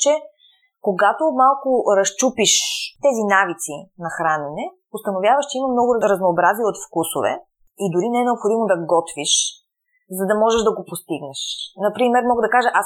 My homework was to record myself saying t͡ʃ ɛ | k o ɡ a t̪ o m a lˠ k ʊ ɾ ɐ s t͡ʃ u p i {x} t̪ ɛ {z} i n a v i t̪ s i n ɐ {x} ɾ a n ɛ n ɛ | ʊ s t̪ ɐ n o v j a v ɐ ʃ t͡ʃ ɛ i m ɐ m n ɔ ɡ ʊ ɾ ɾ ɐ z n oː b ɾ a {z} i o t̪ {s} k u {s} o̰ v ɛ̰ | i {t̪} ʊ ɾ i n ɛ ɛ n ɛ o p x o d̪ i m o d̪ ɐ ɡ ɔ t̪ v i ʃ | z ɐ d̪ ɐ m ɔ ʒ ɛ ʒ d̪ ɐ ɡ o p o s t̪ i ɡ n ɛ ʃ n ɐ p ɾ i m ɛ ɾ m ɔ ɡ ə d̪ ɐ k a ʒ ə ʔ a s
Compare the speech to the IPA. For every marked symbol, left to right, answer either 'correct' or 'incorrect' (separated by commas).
incorrect, correct, correct, correct, incorrect, correct, incorrect